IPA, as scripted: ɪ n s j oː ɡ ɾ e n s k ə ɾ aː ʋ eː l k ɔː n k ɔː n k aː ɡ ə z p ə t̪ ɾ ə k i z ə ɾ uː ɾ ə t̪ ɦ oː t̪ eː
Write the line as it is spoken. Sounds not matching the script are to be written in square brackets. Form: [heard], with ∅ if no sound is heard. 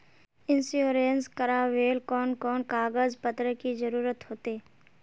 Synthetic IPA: ɪ n s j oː [∅] ɾ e n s k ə ɾ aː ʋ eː l k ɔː n k ɔː n k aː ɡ ə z p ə t̪ ɾ ə k i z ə ɾ uː ɾ ə t̪ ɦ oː t̪ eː